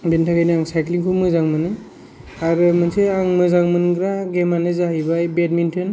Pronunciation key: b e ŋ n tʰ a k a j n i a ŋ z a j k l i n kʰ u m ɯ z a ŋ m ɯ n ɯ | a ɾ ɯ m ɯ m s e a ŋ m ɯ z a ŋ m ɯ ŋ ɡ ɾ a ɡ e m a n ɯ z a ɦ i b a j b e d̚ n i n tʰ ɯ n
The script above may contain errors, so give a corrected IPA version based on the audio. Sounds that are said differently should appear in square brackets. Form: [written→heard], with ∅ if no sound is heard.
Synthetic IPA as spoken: b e [ŋ→∅] n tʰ a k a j n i a ŋ [z→s] a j k l i [n→ŋ] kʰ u m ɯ z a ŋ m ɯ n ɯ | a ɾ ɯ m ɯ [m→n] s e a ŋ m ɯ z a ŋ m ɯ [ŋ→n] ɡ ɾ a ɡ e m a n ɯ z a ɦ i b a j b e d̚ [n→m] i n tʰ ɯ n